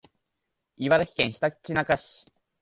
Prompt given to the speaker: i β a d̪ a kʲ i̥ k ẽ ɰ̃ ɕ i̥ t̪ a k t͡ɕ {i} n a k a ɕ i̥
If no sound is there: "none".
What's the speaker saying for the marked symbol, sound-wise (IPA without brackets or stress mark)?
i